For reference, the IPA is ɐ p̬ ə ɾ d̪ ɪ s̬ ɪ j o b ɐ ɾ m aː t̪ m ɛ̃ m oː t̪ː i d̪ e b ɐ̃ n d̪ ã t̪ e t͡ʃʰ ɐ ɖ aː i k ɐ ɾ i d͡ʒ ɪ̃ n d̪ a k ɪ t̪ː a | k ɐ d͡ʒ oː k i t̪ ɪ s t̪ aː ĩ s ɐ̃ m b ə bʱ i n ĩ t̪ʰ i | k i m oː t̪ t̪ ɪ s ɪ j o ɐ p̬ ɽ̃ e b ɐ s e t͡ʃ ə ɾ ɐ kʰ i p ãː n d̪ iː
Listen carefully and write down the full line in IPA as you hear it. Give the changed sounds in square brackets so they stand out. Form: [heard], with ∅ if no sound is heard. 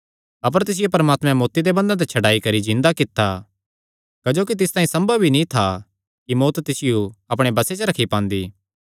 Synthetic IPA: ɐ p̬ ə ɾ [t̪] ɪ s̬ ɪ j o [p] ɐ ɾ m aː t̪ m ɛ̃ m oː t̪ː i d̪ e b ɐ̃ n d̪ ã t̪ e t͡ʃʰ ɐ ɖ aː i k ɐ ɾ i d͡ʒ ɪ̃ n d̪ a k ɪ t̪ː a | k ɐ d͡ʒ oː k i t̪ ɪ s t̪ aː ĩ s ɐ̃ m b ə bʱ i n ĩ t̪ʰ [a] | k i m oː t̪ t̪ ɪ s ɪ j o ɐ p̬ ɽ̃ e b ɐ s e t͡ʃ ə ɾ ɐ kʰ i p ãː n d̪ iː